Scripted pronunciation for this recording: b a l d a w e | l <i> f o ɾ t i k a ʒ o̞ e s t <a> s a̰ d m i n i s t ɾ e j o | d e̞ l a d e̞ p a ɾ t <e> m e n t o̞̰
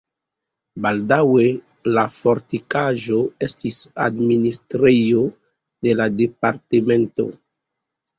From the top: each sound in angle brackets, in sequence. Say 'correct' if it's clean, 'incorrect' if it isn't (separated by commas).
incorrect, incorrect, correct